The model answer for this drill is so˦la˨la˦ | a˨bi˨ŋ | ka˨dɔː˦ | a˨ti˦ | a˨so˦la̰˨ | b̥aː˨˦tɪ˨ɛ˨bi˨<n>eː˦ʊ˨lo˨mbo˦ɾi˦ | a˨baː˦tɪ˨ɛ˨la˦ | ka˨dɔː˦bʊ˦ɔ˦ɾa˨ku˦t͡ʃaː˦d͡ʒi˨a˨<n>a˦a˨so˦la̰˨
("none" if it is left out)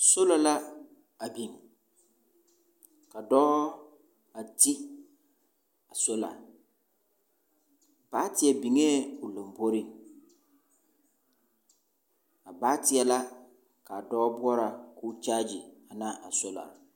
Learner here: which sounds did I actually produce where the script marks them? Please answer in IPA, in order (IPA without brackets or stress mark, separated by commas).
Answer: ŋ, n